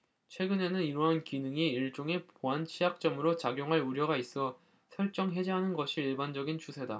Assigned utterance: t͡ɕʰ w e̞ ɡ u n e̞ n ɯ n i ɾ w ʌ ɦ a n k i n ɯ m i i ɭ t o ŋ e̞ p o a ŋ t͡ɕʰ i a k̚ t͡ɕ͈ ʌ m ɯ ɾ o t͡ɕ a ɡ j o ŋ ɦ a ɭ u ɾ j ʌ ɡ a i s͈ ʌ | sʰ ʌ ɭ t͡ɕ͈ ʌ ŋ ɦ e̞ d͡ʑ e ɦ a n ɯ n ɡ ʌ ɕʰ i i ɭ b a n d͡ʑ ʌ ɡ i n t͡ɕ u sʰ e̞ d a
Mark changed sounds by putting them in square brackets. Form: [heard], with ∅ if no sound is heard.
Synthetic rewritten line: t͡ɕʰ w e̞ ɡ [ɯ] n e̞ n ɯ n i ɾ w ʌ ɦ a n k i n ɯ [ŋ] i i ɭ [t͡ɕ͈] o ŋ e̞ p o a [n] t͡ɕʰ i a k̚ t͡ɕ͈ ʌ m ɯ ɾ o t͡ɕ a ɡ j o ŋ ɦ a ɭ u ɾ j ʌ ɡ a i s͈ ʌ | sʰ ʌ ɭ t͡ɕ͈ ʌ ŋ ɦ e̞ d͡ʑ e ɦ a n ɯ n ɡ ʌ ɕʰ i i ɭ b a n d͡ʑ ʌ ɡ i n t͡ɕ u sʰ e̞ d a